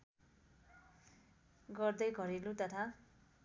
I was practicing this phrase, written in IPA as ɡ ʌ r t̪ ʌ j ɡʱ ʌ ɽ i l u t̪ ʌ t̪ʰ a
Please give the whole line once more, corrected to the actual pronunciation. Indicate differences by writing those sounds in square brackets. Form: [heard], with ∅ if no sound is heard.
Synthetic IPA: ɡ ʌ r [d̪] ʌ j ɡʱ ʌ [ɾ] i l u t̪ ʌ t̪ʰ a